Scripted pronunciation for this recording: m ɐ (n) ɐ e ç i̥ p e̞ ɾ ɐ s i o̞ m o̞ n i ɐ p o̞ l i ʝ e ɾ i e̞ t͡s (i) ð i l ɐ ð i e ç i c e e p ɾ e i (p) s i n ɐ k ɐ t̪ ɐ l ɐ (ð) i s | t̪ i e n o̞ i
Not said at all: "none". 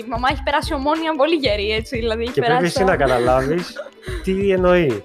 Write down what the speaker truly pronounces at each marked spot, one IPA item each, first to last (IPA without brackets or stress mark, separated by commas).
m, i, none, v